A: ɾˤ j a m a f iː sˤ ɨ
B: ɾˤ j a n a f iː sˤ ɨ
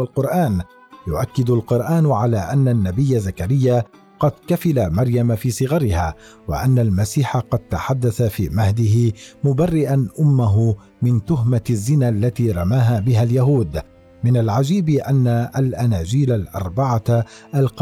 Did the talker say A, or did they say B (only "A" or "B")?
A